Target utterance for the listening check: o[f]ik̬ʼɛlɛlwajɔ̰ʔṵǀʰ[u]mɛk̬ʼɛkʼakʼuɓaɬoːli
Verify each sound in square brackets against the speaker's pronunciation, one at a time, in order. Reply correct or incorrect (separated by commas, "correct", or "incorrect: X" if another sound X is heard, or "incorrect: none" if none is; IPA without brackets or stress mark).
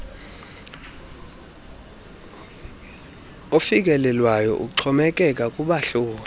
correct, incorrect: ɔ